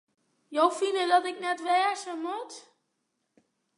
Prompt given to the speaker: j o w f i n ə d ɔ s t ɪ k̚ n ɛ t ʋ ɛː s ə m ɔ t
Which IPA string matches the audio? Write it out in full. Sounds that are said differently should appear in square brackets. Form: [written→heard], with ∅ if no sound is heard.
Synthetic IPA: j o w f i n ə d ɔ [s→∅] t ɪ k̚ n ɛ t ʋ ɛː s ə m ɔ t

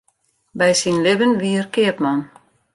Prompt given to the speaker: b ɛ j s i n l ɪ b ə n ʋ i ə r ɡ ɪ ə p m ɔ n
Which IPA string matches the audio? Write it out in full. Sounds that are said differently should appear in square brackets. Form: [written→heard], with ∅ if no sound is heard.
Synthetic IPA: b ɛ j s i n l ɪ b ə n ʋ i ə r [ɡ→k] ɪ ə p m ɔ n

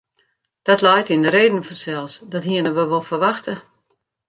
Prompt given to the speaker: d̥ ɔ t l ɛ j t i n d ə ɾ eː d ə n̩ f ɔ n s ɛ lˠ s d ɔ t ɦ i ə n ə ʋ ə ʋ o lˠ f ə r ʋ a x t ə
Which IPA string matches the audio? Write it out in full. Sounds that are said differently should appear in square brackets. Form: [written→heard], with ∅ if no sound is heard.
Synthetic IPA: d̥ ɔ t l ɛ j t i n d ə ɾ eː d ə n̩ f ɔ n s ɛ lˠ s d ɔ t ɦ i ə n ə ʋ ə ʋ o lˠ f ə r ʋ a x t ə

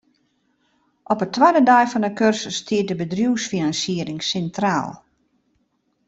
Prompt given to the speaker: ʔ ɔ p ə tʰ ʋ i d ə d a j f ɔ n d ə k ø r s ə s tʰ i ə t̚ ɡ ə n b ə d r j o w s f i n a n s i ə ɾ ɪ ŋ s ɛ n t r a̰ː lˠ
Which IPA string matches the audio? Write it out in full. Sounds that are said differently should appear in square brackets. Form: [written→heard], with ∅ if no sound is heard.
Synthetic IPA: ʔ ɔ p ə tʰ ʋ [i→a] d ə d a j f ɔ n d ə k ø r s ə s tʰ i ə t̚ [ɡ→d] ə [n→∅] b ə d r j [o→u] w s f i n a n s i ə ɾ ɪ ŋ s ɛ n t r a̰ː lˠ

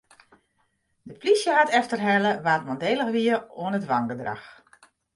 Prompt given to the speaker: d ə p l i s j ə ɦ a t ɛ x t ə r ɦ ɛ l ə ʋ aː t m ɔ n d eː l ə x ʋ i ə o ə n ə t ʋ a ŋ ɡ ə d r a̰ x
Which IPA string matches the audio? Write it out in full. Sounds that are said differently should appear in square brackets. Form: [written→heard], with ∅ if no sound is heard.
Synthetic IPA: d ə p l i s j ə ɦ a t ɛ [x→f] t ə r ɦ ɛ l ə ʋ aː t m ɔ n d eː l ə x ʋ i ə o ə n ə t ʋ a ŋ ɡ ə d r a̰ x

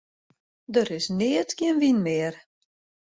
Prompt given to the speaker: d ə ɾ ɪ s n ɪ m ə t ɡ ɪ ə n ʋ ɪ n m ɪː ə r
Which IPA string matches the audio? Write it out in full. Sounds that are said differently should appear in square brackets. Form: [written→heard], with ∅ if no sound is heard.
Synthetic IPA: d ə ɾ ɪ s n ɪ [m→∅] ə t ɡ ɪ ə n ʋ [ɪ→i] n m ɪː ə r

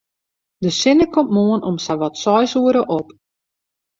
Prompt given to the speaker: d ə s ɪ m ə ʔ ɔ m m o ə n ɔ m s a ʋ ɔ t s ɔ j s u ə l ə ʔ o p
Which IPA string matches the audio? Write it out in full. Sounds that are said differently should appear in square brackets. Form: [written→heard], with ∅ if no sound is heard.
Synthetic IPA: d ə s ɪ [m→n] ə [ʔ→k] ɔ m m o ə n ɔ m s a ʋ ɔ t s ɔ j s u ə [l→ɾ] ə ʔ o p

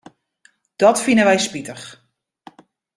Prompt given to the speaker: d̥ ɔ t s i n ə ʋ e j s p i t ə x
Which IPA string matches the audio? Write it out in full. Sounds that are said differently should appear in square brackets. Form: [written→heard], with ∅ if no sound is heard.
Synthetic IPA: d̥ ɔ t [s→f] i n ə ʋ [e→ɛ] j s p i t ə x

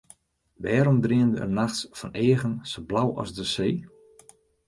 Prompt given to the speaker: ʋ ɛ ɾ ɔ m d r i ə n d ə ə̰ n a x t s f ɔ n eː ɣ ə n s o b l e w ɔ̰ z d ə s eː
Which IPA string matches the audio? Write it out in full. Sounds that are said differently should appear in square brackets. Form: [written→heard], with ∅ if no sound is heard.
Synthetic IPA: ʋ [ɛ→ɛː] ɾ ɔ m d r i ə n d ə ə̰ n a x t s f ɔ n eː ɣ ə n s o b l [e→a] w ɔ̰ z d ə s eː

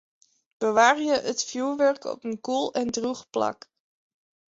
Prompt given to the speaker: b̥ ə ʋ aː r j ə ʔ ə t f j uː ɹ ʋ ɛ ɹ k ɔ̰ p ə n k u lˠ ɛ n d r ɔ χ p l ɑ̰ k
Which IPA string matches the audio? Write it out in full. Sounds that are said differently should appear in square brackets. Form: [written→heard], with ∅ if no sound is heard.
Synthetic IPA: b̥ ə ʋ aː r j ə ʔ ə t f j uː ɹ ʋ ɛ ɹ k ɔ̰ p ə n k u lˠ ɛ n d r [ɔ→u] χ p l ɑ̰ k

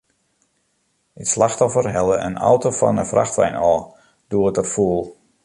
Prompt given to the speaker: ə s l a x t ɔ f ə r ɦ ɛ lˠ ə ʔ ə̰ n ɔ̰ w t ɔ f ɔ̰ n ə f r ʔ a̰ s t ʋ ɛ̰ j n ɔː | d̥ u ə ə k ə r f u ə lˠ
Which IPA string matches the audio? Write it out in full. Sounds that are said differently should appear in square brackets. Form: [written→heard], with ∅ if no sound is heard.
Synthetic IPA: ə s l a x t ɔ f ə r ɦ ɛ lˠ ə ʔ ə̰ n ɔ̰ w t [ɔ→o] f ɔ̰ n ə f r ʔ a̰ [s→x] t ʋ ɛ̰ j n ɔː | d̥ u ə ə [k→t] ə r f u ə lˠ

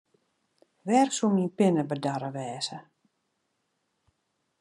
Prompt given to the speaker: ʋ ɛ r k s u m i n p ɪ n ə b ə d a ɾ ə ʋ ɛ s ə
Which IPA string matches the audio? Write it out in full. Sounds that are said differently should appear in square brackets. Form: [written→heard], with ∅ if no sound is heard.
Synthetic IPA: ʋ ɛ r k s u m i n p ɪ n ə b ə d a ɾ ə ʋ [ɛ→ɛː] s ə

